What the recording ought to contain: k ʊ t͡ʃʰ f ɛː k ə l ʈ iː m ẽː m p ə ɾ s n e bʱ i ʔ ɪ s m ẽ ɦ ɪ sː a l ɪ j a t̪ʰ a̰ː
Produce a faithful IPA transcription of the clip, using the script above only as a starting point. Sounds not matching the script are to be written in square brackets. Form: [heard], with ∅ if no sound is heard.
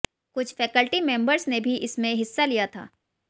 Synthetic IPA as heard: k ʊ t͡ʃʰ f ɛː k ə l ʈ [i] m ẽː m [b] ə ɾ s n e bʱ i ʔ ɪ s m ẽ ɦ ɪ sː a l [i] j a t̪ʰ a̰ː